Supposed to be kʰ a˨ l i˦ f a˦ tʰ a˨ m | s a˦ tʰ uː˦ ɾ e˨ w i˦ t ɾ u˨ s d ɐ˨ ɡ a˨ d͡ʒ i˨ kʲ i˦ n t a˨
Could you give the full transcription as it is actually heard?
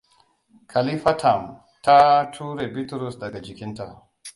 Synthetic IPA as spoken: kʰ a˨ l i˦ f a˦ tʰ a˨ m | t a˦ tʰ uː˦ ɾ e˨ b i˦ t ɾ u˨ s d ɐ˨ ɡ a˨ d͡ʒ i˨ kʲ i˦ n t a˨